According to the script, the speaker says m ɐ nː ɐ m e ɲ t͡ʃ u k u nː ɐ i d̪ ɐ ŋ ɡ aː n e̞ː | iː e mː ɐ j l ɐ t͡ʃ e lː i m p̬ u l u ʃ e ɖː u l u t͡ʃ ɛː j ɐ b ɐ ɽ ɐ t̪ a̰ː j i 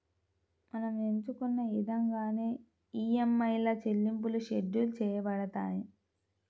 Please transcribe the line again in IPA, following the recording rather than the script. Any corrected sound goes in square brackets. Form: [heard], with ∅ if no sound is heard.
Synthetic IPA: m ɐ [n] ɐ m e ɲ t͡ʃ u k u nː ɐ i d̪ ɐ ŋ ɡ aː n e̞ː | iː e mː ɐ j l ɐ t͡ʃ e lː i m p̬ u l u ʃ e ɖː u l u t͡ʃ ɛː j ɐ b ɐ ɽ ɐ t̪ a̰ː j i